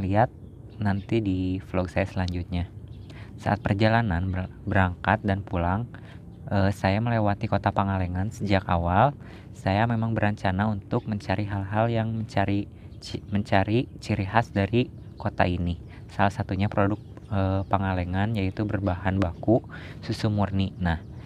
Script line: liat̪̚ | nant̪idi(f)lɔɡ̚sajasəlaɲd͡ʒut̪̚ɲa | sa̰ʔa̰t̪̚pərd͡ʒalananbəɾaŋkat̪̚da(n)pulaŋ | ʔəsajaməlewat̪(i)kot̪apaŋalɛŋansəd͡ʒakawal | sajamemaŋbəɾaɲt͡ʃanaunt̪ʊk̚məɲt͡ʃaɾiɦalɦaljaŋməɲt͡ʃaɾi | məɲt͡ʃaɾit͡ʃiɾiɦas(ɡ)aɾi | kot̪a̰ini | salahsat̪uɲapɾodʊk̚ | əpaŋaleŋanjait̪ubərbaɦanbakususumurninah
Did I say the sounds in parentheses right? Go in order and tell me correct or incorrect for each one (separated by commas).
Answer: correct, correct, correct, incorrect